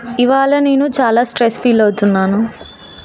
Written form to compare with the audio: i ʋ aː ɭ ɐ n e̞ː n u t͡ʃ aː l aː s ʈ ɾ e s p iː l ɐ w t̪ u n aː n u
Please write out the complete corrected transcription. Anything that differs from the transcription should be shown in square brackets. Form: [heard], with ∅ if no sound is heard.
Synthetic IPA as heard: i ʋ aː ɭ ɐ n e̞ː n u t͡ʃ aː l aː s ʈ ɾ e s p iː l ɐ w t̪ u [nː] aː n u